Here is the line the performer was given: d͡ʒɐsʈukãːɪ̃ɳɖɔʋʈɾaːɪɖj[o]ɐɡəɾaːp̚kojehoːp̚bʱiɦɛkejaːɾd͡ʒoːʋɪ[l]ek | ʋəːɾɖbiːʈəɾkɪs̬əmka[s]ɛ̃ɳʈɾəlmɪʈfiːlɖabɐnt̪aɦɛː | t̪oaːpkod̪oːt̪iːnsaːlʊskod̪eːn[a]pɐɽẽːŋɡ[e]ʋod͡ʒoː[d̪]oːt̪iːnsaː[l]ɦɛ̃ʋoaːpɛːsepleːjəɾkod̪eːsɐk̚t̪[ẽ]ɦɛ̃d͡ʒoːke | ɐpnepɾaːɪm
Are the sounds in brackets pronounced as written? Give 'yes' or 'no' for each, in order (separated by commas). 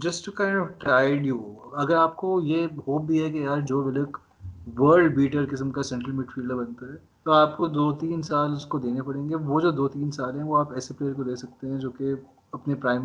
no, yes, yes, no, yes, yes, yes, no